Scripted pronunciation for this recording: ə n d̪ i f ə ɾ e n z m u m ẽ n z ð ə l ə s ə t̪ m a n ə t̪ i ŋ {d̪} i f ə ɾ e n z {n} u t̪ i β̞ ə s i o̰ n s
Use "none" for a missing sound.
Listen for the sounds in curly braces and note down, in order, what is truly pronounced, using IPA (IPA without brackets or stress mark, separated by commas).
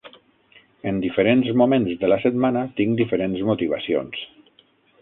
d̪, m